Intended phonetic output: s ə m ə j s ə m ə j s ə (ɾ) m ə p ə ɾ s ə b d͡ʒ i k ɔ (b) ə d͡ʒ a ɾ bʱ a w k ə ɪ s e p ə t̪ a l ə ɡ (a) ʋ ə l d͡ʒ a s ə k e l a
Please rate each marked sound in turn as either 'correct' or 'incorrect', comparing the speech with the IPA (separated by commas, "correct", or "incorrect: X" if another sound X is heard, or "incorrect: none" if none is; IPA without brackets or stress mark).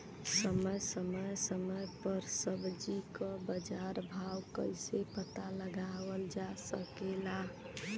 incorrect: none, correct, correct